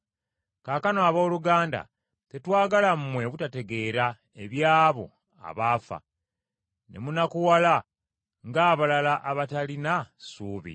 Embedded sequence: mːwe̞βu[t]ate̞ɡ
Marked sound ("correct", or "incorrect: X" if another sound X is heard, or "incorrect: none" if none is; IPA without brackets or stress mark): correct